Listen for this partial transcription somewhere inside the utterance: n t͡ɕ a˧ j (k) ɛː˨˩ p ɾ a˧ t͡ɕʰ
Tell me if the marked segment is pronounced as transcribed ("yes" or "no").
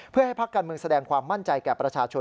yes